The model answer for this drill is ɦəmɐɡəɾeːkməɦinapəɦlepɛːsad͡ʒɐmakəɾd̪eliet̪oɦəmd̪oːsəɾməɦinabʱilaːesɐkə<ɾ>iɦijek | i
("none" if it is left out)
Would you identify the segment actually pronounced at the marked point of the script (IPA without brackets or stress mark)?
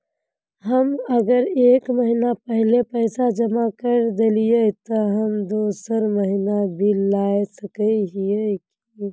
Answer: none